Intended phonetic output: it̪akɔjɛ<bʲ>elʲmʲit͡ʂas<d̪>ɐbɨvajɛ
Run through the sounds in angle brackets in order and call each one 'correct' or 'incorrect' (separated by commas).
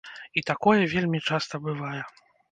incorrect, incorrect